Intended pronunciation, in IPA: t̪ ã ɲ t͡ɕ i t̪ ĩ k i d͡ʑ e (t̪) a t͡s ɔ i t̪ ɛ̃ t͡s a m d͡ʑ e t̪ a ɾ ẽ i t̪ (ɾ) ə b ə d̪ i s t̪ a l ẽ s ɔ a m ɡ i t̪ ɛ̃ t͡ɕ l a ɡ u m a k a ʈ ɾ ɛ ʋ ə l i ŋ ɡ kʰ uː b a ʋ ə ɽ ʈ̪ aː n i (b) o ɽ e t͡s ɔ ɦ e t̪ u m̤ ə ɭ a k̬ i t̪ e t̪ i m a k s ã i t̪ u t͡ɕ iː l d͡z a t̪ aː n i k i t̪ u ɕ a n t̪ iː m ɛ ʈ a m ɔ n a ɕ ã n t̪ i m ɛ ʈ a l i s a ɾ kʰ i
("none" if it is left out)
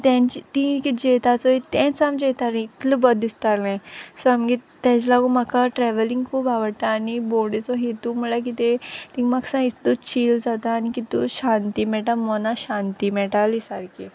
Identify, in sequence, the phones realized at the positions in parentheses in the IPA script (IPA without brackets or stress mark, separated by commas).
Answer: t̪, l, b